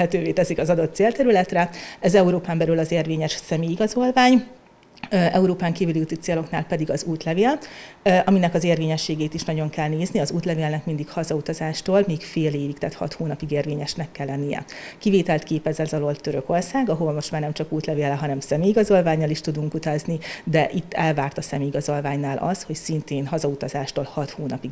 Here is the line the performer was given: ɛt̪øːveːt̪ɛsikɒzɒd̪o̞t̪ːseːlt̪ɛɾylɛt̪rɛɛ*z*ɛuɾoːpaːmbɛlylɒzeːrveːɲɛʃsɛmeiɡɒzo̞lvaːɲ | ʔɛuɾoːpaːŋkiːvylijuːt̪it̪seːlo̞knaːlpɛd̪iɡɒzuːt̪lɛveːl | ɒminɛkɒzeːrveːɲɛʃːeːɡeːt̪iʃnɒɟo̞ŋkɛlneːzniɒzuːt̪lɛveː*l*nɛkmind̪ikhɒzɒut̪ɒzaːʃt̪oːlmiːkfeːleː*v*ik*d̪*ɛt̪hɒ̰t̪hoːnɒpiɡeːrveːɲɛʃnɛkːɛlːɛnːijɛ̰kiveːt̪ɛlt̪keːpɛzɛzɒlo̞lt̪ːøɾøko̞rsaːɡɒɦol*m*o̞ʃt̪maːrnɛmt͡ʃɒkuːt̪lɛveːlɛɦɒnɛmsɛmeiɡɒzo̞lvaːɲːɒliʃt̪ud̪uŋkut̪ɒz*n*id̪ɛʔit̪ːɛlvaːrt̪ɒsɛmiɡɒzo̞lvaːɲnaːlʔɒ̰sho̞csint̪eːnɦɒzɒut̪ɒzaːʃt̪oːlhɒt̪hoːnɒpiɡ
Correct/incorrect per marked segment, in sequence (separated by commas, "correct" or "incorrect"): correct, correct, correct, incorrect, correct, correct